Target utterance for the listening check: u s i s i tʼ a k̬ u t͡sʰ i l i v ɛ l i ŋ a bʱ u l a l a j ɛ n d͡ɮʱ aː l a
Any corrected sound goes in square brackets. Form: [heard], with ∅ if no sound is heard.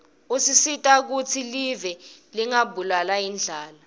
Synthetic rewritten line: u s i s i tʼ a k̬ u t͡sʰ i l i v ɛ l i ŋ a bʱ u l a l a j [i] n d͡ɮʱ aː l a